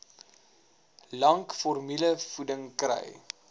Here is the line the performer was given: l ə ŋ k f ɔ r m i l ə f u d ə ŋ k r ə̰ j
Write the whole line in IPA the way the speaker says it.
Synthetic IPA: l ɐ ŋ k f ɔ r m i l ə f u d ə ŋ k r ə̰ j

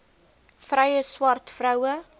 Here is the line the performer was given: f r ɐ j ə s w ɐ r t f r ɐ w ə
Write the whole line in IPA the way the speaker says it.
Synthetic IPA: f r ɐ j ə s w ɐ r t f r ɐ w ə

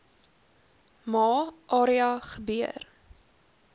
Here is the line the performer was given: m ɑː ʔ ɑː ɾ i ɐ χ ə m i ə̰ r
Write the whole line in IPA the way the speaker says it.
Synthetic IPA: m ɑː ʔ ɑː ɾ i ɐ χ ə b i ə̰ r

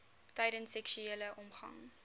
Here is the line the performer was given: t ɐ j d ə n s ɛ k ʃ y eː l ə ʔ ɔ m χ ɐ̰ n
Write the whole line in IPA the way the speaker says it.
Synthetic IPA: t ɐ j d ə n s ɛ k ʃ y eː l ə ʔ ɔ m χ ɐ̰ ŋ

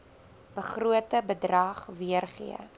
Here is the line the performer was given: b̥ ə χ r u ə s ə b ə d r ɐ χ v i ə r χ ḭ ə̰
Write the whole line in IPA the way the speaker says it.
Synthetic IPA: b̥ ə χ r u ə t ə b ə d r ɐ χ v i ə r χ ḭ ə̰

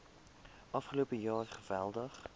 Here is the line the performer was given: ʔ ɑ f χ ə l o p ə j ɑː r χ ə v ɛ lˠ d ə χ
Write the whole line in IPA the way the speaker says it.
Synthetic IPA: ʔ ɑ f χ ə l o p ə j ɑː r χ ə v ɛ lˠ d ə χ

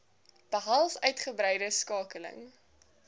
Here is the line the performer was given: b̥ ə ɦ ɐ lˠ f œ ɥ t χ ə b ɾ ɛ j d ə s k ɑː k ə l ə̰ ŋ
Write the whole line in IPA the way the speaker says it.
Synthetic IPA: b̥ ə ɦ ɐ lˠ f œ ɥ t χ ə b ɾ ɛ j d ə s k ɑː k ə l ə̰ ŋ

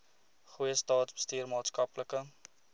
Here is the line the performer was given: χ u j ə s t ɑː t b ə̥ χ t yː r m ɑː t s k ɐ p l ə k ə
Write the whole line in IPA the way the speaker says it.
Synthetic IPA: χ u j ə s t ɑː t b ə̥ s t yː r m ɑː t s k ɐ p l ə k ə

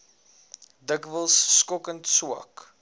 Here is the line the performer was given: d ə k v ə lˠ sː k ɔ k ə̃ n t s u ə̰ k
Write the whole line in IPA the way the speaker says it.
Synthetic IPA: d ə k v ə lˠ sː k ɔ k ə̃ n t s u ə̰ k

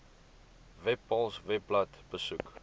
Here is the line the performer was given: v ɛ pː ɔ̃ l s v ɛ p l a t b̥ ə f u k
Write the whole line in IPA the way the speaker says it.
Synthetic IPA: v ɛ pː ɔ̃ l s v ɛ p l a t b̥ ə s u k

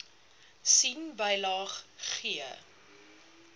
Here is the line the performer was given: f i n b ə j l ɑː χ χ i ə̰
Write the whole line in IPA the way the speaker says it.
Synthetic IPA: s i n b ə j l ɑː χ χ i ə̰

